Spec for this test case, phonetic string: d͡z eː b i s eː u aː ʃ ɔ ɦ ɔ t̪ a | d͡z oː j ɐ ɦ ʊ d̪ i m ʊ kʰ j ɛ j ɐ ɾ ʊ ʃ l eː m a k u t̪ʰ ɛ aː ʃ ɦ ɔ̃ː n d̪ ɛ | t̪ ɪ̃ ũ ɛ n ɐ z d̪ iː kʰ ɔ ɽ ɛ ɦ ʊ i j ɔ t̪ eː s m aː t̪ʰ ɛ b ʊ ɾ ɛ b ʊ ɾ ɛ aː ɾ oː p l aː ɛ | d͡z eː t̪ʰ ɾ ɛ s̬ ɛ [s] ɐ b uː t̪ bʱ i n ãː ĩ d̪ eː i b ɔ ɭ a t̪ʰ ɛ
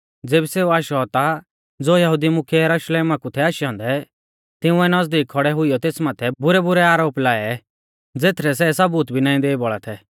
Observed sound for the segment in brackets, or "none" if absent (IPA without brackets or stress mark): s